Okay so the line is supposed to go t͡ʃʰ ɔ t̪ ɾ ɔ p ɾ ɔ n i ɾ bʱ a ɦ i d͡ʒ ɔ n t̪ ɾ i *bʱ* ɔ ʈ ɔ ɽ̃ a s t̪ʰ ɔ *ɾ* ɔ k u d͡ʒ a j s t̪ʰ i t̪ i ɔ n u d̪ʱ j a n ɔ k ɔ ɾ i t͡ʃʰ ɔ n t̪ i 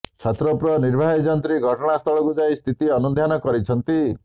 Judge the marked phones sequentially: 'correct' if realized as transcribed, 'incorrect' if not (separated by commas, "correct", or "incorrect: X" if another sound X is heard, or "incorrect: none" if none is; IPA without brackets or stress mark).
incorrect: ɡʱ, incorrect: ɭ